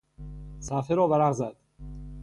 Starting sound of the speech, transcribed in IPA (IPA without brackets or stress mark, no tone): s